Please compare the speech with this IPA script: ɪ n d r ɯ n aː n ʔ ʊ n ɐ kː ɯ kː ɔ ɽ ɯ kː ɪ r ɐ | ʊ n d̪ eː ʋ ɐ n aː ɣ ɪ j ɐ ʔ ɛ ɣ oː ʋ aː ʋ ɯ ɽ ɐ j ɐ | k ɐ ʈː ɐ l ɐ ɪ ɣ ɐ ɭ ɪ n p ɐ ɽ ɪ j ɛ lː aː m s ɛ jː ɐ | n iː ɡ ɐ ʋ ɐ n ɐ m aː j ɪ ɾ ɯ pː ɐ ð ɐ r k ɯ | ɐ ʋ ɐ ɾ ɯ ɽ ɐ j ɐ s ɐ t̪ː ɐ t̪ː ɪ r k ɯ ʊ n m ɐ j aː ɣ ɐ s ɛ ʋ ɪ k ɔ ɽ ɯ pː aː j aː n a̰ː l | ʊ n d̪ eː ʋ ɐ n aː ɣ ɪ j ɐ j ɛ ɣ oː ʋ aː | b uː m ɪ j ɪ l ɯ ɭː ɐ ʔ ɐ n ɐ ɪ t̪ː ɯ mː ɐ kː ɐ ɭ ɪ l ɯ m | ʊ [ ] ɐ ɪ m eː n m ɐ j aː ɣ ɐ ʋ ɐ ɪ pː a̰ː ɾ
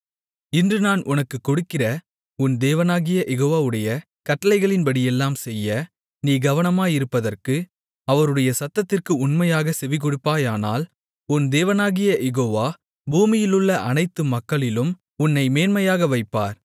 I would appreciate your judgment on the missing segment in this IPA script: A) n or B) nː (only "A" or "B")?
B